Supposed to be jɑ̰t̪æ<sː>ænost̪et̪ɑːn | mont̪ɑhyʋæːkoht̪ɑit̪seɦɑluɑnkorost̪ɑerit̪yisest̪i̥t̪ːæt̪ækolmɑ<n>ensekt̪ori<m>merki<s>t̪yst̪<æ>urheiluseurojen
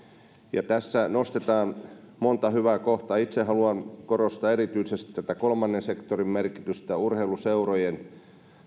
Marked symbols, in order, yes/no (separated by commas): yes, no, yes, no, yes